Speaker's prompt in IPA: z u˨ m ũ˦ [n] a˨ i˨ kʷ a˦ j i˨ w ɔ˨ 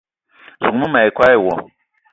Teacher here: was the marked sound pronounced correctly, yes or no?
no